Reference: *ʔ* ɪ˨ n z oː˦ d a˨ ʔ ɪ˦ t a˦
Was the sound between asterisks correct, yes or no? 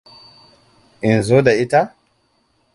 yes